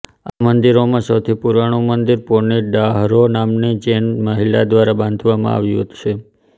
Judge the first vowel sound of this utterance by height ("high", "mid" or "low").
low